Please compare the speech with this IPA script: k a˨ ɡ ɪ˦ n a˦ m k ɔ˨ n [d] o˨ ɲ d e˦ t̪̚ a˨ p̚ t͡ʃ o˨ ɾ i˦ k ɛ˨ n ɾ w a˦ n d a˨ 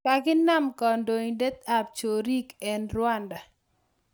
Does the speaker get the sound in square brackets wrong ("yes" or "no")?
no